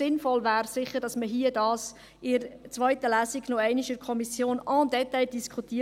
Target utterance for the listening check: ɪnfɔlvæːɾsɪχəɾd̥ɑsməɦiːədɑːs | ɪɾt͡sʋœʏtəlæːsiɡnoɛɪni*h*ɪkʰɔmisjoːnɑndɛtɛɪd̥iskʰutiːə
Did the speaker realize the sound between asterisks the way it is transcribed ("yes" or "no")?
no